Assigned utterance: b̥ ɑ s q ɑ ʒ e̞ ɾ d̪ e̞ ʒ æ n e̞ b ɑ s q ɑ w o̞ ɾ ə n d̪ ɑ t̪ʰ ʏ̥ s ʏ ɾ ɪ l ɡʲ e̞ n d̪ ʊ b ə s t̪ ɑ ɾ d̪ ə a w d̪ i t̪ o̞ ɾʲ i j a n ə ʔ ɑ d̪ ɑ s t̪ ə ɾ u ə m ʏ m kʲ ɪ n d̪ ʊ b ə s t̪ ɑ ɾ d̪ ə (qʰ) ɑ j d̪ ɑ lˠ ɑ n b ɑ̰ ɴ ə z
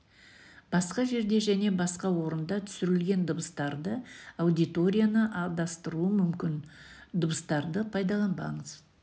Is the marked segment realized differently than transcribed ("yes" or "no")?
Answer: yes